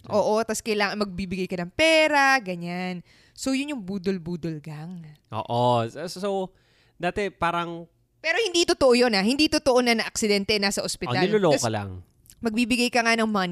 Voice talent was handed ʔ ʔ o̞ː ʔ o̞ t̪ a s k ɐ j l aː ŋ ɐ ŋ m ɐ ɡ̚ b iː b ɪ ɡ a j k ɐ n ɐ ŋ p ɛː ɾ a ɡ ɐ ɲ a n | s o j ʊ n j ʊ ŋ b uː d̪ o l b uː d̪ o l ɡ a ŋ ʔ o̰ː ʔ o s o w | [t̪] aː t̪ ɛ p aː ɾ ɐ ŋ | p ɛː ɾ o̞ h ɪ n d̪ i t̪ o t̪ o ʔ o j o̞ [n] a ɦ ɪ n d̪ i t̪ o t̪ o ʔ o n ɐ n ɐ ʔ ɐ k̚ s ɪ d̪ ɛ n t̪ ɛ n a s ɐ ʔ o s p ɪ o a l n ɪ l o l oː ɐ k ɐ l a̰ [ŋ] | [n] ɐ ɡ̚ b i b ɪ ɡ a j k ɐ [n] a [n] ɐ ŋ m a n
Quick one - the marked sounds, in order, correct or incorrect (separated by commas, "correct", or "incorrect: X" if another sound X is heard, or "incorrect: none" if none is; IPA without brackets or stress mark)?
incorrect: d̪, correct, correct, incorrect: m, incorrect: ŋ, correct